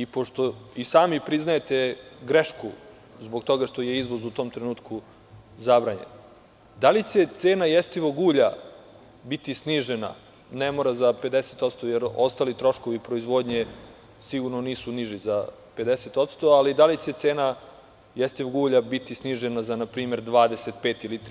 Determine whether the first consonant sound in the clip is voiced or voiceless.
voiceless